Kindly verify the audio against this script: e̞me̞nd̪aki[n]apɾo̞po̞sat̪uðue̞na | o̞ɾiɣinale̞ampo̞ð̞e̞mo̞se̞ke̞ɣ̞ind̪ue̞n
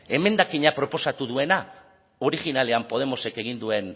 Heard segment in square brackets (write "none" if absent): ɲ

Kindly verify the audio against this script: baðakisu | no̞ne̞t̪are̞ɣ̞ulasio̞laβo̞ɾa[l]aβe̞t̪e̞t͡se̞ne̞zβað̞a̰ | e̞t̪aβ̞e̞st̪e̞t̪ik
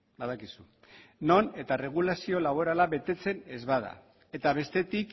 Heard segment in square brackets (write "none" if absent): l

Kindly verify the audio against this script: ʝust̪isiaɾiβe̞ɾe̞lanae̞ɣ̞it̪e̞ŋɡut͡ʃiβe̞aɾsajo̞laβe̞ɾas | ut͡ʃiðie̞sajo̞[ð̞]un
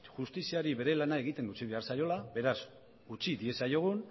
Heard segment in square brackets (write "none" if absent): ɣ̞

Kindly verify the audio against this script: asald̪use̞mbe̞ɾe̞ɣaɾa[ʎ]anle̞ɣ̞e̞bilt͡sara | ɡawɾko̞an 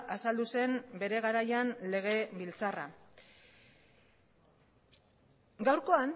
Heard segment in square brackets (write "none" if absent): j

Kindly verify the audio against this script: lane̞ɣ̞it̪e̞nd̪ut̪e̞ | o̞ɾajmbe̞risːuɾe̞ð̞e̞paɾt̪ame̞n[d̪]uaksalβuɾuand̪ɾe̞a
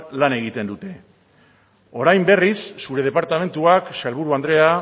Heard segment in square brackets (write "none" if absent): t̪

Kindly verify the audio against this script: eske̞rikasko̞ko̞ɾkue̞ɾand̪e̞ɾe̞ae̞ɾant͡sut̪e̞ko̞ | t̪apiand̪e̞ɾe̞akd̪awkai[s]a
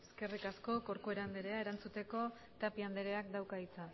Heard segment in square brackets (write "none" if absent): t͡s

